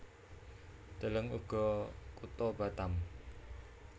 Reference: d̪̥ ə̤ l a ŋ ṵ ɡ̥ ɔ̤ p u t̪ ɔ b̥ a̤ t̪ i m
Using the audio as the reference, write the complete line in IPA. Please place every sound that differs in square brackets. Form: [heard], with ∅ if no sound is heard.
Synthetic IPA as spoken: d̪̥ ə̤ l [ə] ŋ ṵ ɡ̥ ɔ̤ [k] u t̪ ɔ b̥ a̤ t̪ [a] m